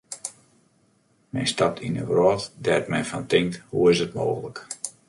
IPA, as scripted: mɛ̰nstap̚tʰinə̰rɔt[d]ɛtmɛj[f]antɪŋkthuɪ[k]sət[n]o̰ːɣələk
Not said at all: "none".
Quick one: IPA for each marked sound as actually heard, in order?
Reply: d, f, none, m

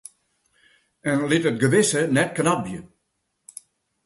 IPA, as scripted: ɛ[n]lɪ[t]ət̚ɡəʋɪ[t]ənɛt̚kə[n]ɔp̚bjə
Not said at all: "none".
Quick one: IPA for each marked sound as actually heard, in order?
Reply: n, t, s, n

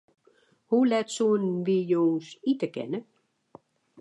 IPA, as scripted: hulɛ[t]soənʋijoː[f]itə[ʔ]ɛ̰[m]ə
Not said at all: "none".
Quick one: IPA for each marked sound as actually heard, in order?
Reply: t, s, k, n

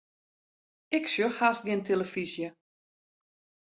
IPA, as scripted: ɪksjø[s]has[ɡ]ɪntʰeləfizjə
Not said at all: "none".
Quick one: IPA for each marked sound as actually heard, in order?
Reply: x, ɡ

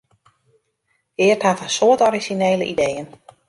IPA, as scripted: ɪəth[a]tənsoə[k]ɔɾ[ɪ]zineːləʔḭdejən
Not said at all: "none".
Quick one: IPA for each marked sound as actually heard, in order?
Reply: a, t, i

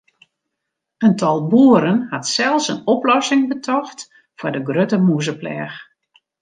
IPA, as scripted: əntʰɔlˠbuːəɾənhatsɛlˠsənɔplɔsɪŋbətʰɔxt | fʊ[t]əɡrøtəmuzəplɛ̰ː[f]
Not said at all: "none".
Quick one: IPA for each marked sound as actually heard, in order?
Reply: d, x

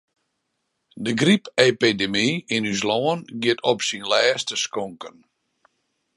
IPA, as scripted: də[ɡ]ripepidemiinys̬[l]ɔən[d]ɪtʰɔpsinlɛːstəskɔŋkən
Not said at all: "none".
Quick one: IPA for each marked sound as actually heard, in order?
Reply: ɡ, l, ɡ

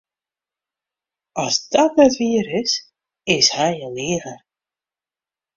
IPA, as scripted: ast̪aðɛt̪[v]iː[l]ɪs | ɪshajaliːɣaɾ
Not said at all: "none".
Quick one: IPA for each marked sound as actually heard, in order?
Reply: v, ɾ

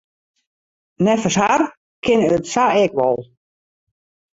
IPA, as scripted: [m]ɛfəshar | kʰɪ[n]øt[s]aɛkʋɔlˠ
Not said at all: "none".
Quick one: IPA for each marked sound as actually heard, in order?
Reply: n, n, s

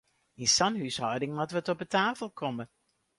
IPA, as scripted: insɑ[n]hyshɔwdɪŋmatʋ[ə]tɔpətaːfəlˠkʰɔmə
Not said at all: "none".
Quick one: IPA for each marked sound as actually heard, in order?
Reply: n, ə

